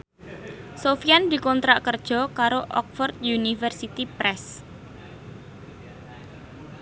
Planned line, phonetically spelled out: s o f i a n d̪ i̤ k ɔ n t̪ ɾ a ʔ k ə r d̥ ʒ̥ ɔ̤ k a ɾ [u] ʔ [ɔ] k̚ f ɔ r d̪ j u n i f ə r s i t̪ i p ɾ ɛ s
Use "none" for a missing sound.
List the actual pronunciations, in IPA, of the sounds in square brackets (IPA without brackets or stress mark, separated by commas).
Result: o, ɔ